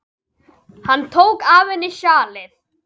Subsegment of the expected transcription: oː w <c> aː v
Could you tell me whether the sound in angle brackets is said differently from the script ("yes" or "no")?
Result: yes